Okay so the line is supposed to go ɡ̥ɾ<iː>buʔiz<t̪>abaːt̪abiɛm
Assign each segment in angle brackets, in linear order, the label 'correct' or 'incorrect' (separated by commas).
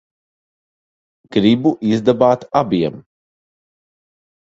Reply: incorrect, incorrect